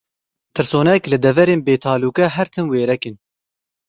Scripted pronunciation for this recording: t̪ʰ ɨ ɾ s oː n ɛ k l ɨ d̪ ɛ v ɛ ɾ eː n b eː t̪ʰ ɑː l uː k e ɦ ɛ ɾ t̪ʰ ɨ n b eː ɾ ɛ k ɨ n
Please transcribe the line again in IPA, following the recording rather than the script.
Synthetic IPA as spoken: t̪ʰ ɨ ɾ s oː n ɛ k l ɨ d̪ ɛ v ɛ ɾ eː n b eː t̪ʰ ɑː l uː k ɛ ɦ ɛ ɾ t̪ʰ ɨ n w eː ɾ ɛ k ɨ n